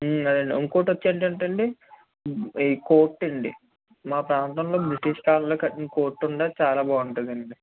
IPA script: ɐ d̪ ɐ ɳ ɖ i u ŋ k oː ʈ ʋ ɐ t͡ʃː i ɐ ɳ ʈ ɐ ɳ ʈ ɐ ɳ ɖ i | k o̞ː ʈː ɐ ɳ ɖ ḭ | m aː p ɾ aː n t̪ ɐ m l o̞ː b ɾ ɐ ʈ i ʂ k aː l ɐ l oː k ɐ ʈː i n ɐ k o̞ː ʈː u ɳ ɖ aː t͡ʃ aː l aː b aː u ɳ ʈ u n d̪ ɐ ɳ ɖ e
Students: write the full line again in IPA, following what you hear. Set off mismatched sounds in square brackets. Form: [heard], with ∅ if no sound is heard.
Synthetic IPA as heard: ɐ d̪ ɐ ɳ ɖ i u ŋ k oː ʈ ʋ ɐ t͡ʃː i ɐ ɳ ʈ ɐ ɳ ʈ ɐ ɳ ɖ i | k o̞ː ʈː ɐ ɳ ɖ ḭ | m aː p ɾ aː n t̪ ɐ m l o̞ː b ɾ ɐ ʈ i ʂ k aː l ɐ l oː k ɐ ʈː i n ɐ k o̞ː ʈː u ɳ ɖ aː t͡ʃ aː l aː b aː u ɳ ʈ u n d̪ ɐ ɳ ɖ [i]